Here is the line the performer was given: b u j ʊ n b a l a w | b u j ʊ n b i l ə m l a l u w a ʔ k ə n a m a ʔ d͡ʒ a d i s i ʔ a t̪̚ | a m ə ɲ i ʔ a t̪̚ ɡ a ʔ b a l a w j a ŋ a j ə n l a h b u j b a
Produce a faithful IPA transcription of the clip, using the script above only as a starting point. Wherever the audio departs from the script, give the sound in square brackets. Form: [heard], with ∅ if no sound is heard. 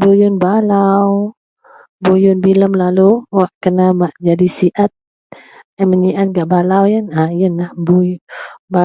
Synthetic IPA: b u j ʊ n b a l a w | b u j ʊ n b i l ə m l a l u w a ʔ k ə n a m a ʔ d͡ʒ a d i s i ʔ a t̪̚ | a m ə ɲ i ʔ a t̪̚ ɡ a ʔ b a l a w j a [n] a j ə n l a h b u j b a

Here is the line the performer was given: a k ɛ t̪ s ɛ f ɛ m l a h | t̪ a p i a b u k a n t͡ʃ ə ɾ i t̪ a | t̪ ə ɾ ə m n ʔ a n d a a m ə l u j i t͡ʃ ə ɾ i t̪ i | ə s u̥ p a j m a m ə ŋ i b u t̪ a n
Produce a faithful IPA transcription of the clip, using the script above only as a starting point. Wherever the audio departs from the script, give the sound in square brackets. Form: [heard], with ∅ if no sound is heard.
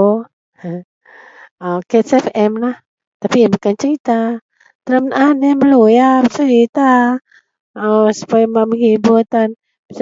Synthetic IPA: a k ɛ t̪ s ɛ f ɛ m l a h | t̪ a p i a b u k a n t͡ʃ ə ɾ i t̪ a | t̪ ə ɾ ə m n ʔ a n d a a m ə l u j [a] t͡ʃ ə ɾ i t̪ [a] | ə s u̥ p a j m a m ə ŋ i b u t̪ a n

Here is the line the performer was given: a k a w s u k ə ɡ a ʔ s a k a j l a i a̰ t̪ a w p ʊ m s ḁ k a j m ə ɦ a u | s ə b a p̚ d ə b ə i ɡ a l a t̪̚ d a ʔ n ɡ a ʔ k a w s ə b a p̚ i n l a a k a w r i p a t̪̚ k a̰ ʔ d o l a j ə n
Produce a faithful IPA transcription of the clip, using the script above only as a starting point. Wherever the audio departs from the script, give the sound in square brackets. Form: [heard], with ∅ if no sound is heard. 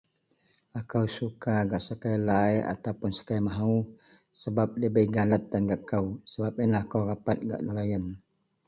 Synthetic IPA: a k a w s u k [a] ɡ a ʔ s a k a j l a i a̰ t̪ a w p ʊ [n] s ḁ k a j m [a] ɦ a u | s ə b a p̚ d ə b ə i ɡ a l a t̪̚ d a [∅] n ɡ a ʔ k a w s ə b a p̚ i n l a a k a w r [a] p a t̪̚ [ɡ] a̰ ʔ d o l a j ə n

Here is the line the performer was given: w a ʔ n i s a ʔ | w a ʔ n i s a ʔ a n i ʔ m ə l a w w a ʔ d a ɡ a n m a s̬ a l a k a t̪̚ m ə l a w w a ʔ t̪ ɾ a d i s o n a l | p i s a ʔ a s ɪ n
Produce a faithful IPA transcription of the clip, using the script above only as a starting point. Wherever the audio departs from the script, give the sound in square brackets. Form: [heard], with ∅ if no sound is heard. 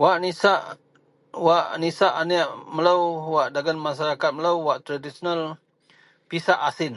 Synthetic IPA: w a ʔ n i s a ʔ | w a ʔ n i s a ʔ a n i ʔ m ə l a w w a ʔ d a ɡ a n m a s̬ a [ɾ] a k a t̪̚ m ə l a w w a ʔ t̪ ɾ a d i s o n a l | p i s a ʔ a s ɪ n

